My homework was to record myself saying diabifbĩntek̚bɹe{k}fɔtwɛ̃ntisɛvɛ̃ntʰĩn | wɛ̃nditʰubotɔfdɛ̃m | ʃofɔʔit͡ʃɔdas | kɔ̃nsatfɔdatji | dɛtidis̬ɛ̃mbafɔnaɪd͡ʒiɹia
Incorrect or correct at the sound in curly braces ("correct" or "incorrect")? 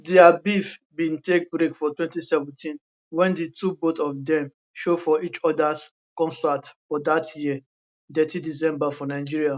correct